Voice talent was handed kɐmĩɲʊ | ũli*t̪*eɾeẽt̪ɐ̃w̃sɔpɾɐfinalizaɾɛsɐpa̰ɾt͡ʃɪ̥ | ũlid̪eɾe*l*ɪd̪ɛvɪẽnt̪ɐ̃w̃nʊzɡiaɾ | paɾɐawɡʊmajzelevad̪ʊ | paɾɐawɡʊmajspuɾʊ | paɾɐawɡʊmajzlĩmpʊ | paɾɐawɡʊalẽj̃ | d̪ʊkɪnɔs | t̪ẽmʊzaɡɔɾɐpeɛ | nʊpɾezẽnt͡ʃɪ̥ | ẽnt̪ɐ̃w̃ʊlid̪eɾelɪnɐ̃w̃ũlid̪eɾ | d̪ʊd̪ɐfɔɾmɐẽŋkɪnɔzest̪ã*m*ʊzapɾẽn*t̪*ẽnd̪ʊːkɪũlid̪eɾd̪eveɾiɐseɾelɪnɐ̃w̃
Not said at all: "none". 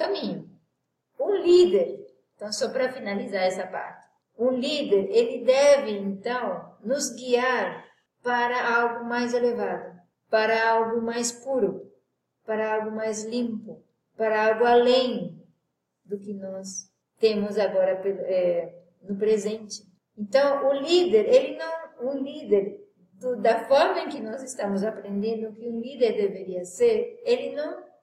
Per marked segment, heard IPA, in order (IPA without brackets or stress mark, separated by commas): d̪, l, m, d̪